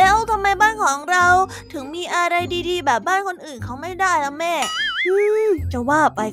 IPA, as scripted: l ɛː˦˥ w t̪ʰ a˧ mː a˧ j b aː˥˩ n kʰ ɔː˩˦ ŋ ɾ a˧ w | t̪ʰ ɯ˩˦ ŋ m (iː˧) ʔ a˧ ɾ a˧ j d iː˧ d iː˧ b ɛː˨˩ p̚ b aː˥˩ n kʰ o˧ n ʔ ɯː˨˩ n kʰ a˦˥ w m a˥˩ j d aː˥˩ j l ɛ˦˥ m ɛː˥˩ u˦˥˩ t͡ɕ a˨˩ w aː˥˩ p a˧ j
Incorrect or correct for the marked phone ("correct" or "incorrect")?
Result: correct